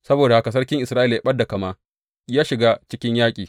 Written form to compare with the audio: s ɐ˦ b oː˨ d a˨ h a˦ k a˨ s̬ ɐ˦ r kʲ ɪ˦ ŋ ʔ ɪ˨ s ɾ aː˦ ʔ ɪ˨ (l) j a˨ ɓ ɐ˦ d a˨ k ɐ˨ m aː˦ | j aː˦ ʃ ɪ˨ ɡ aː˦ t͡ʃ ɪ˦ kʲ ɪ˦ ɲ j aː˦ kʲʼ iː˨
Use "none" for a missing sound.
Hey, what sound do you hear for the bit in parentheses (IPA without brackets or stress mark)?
l